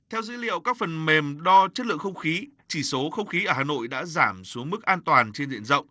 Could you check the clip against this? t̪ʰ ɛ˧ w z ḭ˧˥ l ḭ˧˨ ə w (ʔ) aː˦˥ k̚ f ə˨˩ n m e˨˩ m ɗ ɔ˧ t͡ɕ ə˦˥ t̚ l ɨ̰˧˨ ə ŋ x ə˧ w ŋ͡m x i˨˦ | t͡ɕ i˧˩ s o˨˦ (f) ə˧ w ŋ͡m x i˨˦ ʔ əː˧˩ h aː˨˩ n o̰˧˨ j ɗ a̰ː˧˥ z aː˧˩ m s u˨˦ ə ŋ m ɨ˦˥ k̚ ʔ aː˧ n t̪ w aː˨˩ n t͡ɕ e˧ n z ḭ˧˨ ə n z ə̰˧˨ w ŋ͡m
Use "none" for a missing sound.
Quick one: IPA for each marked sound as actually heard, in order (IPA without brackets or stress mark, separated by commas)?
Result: k, x